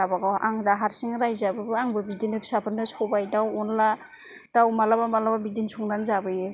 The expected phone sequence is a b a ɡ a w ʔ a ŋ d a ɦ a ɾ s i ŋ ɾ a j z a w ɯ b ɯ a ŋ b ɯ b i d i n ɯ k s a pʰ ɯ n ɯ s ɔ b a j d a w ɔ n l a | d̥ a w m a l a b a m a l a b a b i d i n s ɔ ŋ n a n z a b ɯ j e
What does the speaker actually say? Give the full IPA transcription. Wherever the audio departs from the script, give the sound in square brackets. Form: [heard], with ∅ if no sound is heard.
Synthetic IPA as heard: a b a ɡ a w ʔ a ŋ d a ɦ a ɾ s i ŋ ɾ a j z a [b] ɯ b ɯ a ŋ b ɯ b i d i n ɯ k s a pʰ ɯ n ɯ s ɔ b a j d a w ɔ n l a | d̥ a w m a l a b a m a l a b a b i d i n s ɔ ŋ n a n z a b ɯ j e

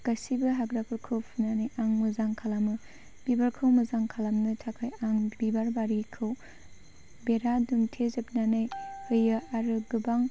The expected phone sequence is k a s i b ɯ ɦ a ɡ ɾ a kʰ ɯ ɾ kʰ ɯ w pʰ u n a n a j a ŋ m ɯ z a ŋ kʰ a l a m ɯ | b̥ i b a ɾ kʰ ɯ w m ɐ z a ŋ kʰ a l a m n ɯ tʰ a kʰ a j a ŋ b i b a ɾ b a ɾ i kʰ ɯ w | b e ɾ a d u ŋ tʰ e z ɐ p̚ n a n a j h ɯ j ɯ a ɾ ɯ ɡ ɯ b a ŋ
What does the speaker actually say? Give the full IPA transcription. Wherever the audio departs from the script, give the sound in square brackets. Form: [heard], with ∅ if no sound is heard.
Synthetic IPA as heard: k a s i b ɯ ɦ a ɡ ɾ a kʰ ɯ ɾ kʰ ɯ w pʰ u n a n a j a ŋ m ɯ z a ŋ kʰ a l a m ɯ | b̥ i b a ɾ kʰ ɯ w m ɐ z a ŋ kʰ a l a m n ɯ tʰ a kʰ a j a ŋ b i b a ɾ b a ɾ i kʰ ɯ w | b e ɾ a d u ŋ tʰ e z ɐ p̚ n a n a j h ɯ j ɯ a ɾ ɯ ɡ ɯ b a ŋ

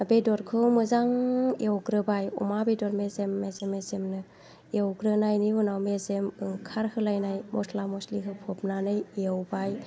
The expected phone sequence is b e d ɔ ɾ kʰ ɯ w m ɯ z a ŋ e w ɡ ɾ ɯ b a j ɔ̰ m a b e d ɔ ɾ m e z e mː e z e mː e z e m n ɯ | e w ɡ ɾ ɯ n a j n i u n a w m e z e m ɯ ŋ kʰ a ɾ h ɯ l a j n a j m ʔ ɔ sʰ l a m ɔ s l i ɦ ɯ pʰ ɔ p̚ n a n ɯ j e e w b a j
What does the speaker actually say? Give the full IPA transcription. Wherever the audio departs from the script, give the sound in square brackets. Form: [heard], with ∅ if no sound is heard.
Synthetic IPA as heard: b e d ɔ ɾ kʰ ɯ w m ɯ z a ŋ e w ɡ ɾ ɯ b a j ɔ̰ m a b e d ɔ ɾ m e z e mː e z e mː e z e m n ɯ | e w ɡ ɾ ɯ n a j n i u n a w m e z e m ɯ ŋ kʰ a ɾ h ɯ l a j n a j m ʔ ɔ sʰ l a m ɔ s l i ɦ ɯ pʰ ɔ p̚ n a n ɯ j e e w b a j

